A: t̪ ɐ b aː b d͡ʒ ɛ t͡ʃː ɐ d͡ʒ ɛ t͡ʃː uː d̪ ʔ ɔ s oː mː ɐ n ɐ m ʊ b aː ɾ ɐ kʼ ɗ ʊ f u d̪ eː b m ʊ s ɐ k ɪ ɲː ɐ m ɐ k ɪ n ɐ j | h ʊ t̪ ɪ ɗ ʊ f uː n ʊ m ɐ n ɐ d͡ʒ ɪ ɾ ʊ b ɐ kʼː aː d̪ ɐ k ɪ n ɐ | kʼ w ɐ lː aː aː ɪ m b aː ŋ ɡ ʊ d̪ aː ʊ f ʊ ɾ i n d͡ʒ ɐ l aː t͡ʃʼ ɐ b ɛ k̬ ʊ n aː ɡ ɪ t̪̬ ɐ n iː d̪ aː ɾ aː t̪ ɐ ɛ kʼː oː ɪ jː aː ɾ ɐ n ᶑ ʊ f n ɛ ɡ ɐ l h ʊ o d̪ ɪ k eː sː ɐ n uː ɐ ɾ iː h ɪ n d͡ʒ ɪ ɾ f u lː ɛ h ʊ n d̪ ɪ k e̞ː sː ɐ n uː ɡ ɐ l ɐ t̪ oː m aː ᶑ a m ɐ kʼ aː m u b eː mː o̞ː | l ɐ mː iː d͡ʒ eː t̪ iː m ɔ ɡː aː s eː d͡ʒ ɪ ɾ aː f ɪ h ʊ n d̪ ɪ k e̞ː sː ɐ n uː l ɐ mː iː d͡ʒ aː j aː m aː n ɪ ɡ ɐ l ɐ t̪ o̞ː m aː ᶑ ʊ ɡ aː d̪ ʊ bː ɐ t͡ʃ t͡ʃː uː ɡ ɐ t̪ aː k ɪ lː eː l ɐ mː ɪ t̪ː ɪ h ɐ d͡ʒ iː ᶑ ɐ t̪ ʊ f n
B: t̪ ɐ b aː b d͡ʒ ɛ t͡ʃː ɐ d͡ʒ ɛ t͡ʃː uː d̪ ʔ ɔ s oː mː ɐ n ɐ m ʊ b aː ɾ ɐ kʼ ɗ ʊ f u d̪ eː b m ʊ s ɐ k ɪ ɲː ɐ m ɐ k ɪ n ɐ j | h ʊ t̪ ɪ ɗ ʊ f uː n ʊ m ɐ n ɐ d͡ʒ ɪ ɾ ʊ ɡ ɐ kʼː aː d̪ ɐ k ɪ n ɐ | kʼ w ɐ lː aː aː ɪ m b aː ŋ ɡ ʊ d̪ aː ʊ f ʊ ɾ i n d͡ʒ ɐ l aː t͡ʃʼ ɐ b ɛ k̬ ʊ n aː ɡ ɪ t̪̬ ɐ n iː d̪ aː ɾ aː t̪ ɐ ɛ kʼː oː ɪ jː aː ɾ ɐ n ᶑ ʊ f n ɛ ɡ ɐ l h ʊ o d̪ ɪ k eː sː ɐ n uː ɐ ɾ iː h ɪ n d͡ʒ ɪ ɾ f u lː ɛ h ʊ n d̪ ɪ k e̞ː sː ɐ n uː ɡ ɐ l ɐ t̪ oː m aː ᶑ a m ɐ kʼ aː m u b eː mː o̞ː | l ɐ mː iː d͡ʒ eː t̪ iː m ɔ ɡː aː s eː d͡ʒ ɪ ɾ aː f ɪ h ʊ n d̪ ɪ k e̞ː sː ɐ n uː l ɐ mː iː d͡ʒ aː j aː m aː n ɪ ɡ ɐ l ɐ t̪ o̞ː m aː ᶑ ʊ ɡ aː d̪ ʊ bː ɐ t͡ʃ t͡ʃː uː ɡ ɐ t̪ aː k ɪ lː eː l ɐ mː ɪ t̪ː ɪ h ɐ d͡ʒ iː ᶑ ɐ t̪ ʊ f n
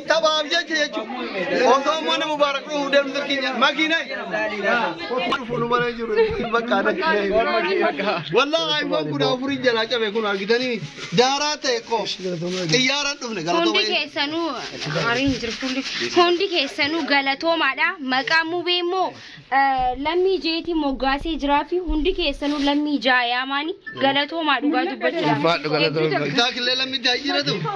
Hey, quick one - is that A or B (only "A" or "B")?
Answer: A